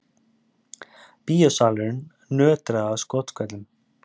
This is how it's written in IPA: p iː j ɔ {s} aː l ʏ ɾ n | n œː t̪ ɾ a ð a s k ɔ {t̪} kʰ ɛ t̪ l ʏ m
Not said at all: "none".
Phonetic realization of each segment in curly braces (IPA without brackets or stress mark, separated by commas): s, t̪